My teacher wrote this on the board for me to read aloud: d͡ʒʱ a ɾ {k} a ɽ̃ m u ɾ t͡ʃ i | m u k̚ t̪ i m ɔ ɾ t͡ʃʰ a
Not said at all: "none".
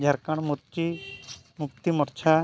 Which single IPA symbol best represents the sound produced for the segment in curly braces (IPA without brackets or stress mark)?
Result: k